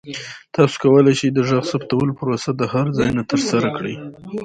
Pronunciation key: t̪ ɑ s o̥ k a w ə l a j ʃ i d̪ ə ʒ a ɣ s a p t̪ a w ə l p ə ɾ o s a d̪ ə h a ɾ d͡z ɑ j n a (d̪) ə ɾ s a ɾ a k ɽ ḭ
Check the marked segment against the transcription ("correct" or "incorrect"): incorrect